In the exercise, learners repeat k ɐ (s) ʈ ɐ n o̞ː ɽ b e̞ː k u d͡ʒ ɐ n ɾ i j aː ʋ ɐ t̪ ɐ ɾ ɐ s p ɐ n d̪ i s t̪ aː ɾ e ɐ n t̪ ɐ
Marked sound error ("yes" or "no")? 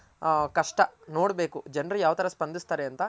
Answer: yes